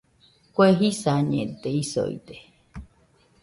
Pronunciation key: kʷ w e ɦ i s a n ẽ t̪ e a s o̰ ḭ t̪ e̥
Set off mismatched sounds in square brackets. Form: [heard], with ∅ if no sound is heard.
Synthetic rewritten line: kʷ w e ɦ i s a [ɲ] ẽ t̪ e [i] s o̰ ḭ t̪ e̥

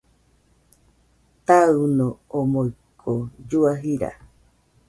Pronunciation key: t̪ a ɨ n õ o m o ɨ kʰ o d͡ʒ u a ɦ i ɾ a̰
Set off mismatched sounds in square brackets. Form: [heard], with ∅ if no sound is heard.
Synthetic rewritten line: t̪ a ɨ n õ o m o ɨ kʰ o d͡ʒ u a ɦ i ɾ a̰

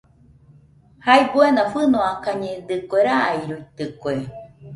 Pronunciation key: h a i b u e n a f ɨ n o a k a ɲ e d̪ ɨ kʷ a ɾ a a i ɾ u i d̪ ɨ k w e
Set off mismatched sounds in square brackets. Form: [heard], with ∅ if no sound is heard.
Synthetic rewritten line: h a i b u e n a f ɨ n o a k a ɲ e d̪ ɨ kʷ [e] ɾ a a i ɾ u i [t̪] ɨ k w e

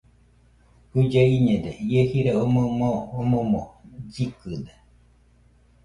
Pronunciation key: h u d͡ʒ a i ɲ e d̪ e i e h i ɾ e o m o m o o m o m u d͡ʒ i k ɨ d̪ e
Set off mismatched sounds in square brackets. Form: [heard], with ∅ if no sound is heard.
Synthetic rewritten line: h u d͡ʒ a i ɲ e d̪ e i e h i ɾ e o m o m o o m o m [o] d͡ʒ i k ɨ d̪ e

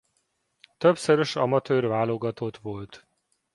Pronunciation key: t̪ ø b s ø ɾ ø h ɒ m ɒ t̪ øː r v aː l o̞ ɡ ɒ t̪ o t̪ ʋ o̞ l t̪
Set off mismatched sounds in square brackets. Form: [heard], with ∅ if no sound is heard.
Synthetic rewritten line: t̪ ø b s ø ɾ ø [ʃ] ɒ m ɒ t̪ øː r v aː l o̞ ɡ ɒ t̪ o t̪ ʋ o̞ l t̪

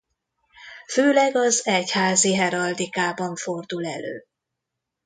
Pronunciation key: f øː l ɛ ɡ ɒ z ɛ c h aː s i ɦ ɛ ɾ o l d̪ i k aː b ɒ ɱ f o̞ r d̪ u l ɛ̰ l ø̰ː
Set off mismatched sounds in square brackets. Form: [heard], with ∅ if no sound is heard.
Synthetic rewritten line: f øː l ɛ ɡ ɒ z ɛ c h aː [z] i ɦ ɛ ɾ [ɒ] l d̪ i k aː b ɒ ɱ f o̞ r d̪ u l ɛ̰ l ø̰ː

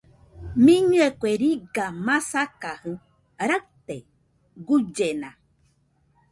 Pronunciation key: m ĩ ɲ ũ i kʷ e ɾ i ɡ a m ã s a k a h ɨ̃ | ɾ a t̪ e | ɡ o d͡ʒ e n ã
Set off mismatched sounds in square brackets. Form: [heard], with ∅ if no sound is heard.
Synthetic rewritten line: m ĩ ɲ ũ [e] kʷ e ɾ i ɡ a m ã s a k a h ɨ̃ | ɾ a t̪ e | ɡ [u] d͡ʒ e n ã

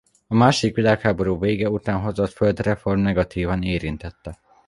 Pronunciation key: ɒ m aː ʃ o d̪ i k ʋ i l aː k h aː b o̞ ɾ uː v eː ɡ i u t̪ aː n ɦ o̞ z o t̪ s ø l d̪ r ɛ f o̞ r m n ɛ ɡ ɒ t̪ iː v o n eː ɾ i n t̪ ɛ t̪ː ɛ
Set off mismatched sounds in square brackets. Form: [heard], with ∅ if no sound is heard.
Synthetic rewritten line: ɒ m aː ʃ o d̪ i k ʋ i l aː k h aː b o̞ ɾ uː v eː ɡ [ɛ] u t̪ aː n ɦ o̞ z o t̪ [f] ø l d̪ r ɛ f o̞ r m n ɛ ɡ ɒ t̪ iː v [ɒ] n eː ɾ i n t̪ ɛ t̪ː ɛ

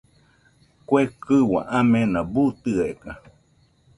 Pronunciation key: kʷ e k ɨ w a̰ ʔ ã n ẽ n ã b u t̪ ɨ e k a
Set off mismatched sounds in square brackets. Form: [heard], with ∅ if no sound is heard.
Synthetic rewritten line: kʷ e k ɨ w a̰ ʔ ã [m] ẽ n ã b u t̪ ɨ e k a

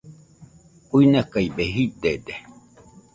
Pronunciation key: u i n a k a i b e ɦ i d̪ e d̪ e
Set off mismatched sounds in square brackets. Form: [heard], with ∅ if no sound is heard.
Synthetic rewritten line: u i n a k a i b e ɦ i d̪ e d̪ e

